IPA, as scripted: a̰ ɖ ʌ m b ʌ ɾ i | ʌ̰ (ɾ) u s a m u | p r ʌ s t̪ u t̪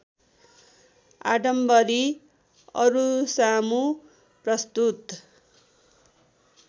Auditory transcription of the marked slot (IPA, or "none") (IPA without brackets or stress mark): ɾ